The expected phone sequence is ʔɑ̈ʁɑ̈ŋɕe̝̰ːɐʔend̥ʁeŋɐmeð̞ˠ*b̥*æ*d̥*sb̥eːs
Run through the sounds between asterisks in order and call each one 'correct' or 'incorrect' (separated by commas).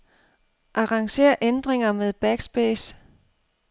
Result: correct, incorrect